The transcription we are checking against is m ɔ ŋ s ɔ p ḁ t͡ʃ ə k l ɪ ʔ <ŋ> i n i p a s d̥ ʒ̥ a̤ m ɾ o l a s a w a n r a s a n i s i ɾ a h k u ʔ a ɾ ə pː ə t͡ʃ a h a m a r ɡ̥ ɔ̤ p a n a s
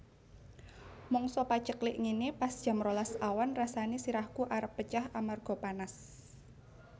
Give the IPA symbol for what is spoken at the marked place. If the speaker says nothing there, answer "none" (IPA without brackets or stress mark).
ŋ